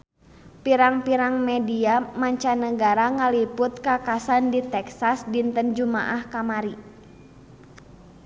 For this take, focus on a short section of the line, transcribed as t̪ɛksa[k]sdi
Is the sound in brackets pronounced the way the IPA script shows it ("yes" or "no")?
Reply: no